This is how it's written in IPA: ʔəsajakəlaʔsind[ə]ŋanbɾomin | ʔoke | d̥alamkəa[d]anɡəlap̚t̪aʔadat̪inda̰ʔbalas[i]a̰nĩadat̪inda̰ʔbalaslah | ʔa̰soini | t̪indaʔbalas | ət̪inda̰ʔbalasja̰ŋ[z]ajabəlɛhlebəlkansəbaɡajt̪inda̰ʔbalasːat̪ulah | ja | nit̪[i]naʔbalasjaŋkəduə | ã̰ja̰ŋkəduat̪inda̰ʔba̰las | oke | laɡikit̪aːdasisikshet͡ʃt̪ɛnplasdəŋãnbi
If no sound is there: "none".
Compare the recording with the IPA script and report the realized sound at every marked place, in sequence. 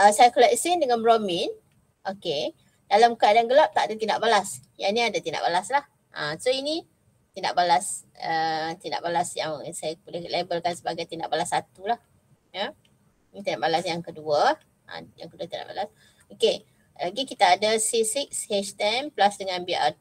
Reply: ə, d, j, s, i

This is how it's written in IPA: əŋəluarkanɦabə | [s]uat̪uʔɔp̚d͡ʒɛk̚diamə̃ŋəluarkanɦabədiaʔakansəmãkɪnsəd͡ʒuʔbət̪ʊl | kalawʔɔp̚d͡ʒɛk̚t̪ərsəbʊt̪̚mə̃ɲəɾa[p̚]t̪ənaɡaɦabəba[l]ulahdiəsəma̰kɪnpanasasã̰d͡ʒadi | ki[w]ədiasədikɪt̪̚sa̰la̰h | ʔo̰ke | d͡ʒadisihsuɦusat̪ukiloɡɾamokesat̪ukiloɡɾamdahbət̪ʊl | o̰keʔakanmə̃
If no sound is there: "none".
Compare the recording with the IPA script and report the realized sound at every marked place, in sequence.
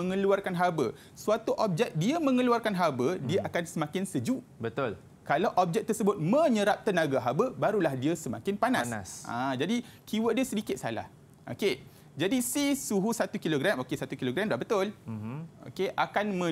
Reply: s, p̚, ɾ, w

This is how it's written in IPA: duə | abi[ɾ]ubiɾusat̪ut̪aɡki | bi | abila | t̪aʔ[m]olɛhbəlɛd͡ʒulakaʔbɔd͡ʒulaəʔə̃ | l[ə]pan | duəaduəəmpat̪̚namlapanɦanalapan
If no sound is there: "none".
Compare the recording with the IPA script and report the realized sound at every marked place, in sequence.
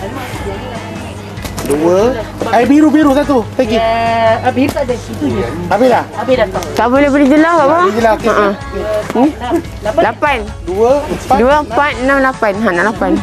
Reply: ɾ, b, a

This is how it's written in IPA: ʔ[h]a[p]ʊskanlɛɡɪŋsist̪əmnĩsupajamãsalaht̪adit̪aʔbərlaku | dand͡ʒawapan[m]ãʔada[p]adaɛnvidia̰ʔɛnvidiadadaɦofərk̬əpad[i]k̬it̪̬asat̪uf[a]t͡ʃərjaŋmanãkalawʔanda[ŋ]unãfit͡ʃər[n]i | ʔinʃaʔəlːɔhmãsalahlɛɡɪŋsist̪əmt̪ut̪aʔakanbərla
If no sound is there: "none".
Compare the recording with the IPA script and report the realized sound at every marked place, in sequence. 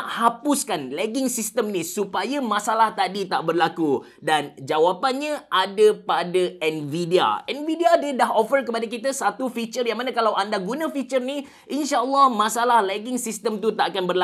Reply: h, p, ɲ, p, a, i, ɡ, n

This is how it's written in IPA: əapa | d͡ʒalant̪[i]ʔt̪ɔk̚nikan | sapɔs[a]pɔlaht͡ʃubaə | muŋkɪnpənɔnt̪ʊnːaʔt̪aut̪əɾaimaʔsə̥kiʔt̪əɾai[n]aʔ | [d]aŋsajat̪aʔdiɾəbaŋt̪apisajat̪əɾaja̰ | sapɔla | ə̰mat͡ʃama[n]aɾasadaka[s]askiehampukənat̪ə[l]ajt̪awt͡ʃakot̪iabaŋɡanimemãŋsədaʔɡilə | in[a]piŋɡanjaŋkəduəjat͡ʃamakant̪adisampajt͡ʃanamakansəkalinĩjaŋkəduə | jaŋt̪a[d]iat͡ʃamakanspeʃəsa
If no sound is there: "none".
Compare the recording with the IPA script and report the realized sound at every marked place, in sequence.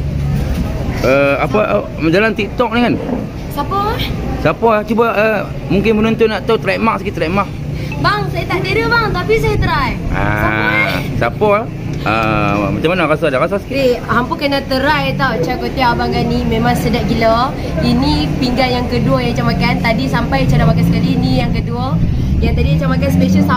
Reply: i, a, m, b, n, s, ɾ, i, d

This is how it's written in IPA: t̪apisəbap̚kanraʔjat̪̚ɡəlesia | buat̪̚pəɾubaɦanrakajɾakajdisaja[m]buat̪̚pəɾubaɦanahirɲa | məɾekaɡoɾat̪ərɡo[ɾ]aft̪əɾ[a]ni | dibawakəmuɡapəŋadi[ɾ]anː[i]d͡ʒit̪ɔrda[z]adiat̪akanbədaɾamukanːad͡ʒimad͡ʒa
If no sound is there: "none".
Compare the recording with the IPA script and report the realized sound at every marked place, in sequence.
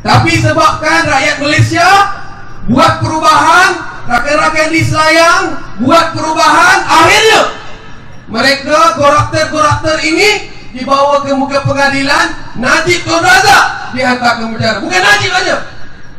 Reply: ŋ, ɾ, i, l, a, z

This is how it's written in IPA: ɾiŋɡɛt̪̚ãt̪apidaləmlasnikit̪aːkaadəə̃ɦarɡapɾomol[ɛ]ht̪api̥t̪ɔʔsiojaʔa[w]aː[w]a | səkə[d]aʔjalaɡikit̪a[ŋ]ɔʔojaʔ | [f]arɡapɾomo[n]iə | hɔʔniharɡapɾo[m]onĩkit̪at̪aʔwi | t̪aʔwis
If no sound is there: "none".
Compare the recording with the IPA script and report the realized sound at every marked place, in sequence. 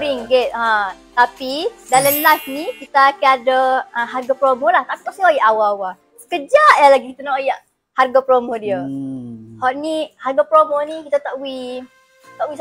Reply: a, w, w, d͡ʒ, n, h, d, m

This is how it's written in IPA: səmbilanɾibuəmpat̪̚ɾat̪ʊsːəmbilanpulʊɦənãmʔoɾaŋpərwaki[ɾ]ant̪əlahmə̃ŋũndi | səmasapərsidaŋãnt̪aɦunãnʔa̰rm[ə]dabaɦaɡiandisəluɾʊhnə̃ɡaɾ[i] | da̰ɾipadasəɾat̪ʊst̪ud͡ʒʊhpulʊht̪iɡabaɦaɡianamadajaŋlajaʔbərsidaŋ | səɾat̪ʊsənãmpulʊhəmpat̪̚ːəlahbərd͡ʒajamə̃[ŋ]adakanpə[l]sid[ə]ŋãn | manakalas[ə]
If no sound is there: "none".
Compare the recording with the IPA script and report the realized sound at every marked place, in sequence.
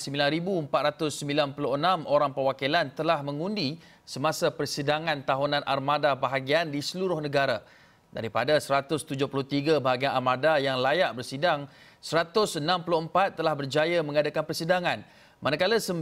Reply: l, a, a, ŋ, r, a, ə

